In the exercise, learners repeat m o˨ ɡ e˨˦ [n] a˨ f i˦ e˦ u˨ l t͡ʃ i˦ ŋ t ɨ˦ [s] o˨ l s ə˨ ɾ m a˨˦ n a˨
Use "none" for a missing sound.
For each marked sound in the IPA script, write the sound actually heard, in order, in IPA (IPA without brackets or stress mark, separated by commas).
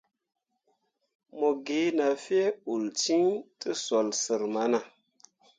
n, s